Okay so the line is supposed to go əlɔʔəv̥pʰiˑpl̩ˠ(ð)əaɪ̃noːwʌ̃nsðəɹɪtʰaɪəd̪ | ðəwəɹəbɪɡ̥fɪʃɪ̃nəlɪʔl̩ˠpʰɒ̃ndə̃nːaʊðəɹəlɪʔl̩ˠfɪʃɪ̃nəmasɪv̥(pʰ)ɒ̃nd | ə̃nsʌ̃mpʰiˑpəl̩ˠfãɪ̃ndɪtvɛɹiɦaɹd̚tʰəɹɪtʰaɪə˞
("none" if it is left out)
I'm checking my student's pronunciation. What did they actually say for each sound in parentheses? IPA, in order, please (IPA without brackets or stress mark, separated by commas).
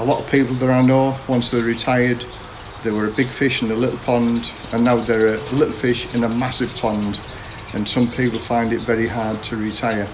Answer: ð, pʰ